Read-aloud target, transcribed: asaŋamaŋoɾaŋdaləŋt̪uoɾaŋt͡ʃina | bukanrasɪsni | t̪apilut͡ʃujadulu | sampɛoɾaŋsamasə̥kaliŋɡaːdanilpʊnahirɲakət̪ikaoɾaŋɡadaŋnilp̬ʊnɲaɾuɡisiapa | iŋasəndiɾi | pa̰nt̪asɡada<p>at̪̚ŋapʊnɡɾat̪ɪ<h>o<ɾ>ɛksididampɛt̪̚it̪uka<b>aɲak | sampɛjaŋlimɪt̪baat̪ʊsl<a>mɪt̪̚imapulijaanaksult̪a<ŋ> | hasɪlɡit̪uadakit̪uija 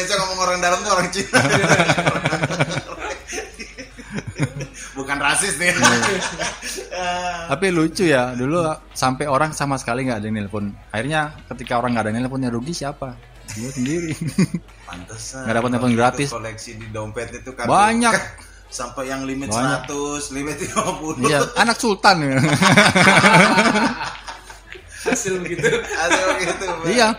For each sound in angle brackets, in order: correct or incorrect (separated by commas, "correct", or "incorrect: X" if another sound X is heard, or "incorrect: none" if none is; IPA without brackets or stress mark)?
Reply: correct, incorrect: s, incorrect: l, correct, incorrect: i, incorrect: n